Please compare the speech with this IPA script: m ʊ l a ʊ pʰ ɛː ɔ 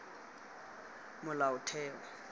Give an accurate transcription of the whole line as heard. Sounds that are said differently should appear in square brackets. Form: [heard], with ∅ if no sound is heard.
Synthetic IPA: m ʊ l a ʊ [tʰ] ɛː ɔ